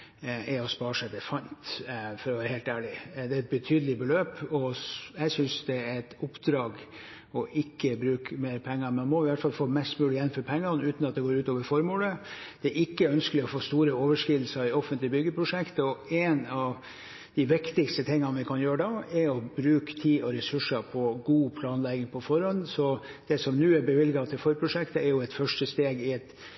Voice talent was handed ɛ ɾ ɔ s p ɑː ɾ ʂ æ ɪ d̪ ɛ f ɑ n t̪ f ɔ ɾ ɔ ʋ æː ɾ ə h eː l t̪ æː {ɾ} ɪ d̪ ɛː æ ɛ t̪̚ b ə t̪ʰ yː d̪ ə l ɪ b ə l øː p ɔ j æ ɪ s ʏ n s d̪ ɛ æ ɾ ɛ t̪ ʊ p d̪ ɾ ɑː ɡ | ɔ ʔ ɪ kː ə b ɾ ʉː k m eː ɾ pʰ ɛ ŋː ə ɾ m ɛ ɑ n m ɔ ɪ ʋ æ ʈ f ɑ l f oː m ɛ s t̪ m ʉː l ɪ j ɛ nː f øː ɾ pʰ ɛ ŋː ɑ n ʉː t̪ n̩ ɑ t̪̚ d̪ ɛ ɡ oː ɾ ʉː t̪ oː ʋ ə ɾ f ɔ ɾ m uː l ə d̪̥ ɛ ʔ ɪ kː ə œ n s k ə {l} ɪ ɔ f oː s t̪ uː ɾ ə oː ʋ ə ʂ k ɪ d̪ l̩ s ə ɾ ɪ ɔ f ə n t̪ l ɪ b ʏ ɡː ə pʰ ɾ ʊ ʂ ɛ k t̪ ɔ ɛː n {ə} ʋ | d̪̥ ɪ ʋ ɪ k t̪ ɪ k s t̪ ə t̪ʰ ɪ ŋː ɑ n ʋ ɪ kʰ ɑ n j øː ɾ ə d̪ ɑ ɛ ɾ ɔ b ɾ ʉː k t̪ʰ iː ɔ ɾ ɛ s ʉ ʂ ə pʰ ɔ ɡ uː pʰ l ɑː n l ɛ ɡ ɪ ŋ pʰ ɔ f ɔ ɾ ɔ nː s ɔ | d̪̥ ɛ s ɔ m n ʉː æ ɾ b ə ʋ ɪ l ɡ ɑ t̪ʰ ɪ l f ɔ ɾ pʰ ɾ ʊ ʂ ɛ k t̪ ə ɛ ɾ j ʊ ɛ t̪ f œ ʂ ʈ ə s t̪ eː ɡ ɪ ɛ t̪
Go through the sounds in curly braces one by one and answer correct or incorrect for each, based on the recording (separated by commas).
incorrect, correct, incorrect